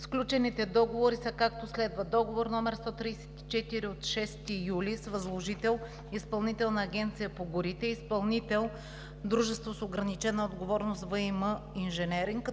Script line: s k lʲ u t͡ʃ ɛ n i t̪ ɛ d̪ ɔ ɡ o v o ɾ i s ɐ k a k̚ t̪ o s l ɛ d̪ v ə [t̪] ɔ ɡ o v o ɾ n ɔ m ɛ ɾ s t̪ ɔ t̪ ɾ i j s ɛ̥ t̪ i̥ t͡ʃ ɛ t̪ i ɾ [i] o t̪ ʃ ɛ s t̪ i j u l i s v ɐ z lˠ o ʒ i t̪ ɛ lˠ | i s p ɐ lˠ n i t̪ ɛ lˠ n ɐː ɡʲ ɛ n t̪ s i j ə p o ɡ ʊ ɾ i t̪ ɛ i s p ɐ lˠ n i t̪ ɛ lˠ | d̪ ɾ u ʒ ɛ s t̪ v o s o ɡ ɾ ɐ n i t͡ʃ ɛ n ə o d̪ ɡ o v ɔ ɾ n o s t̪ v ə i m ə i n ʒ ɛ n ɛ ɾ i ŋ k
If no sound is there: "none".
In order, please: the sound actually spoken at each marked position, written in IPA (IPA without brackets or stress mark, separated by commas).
d̪, i